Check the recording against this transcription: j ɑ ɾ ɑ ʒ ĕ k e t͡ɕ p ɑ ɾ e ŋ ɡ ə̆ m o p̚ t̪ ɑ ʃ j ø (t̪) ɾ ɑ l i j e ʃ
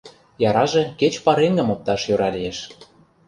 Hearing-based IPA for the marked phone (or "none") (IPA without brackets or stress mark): none